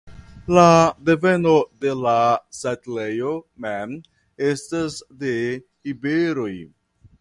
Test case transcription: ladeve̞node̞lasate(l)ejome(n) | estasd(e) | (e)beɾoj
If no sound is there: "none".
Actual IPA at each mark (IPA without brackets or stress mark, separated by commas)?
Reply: l, m, e, i